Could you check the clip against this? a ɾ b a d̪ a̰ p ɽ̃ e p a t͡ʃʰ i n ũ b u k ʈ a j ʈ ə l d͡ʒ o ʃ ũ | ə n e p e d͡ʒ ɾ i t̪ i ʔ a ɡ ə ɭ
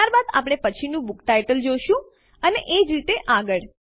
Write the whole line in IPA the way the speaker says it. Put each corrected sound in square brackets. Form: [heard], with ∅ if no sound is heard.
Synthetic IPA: a ɾ b a d̪ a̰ p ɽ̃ e p [ə] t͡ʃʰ i n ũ b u k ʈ a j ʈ ə l d͡ʒ o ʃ ũ | ə n e [ʔ] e d͡ʒ ɾ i t̪ [e] ʔ a ɡ ə ɭ